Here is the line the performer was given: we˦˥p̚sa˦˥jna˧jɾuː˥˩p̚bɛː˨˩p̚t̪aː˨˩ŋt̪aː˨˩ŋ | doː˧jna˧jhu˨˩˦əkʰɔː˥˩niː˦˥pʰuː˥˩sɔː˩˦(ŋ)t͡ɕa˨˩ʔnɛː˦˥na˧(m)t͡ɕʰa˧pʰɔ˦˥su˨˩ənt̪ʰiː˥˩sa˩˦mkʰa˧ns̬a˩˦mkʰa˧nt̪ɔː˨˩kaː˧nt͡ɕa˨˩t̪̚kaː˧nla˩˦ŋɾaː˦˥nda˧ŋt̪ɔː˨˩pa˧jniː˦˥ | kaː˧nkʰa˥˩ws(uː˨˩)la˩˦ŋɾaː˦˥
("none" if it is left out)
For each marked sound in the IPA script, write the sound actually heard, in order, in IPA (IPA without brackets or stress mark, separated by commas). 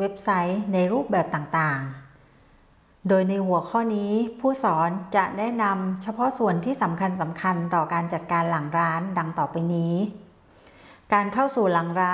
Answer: n, m, uː˨˩